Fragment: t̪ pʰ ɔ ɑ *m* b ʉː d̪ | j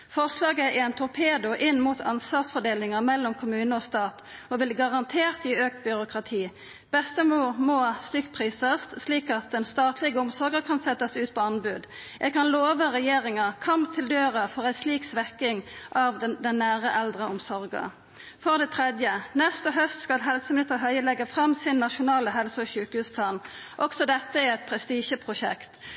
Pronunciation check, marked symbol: incorrect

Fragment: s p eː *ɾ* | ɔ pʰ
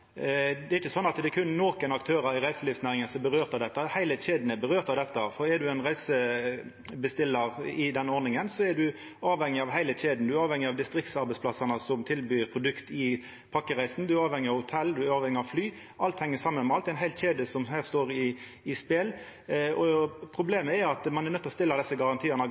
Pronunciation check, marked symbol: incorrect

